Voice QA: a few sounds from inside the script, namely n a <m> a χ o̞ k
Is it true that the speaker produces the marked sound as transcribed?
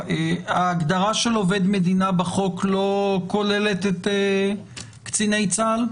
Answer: no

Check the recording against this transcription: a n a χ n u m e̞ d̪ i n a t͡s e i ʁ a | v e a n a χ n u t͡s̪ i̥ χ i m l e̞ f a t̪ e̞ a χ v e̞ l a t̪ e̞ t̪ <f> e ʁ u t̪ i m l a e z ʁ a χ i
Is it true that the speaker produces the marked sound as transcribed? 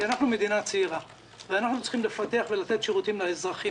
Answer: no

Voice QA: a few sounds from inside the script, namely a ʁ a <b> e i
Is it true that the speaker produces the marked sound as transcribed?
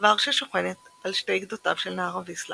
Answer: no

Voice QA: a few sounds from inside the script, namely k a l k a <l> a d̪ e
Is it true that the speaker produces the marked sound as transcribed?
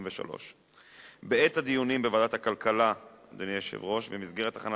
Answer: yes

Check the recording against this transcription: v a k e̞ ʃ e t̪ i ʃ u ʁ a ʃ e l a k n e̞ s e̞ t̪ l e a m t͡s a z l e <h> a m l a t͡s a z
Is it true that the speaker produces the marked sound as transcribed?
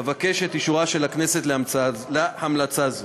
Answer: yes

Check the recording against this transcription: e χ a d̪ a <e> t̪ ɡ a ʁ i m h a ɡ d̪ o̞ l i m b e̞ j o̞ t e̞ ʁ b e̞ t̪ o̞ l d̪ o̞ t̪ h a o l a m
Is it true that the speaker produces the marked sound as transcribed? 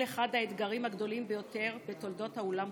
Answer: yes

